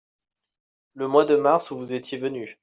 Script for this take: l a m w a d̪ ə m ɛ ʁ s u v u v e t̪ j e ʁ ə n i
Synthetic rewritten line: l ə m w a d̪ ə m a ʁ s u v u z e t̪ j e v ə n y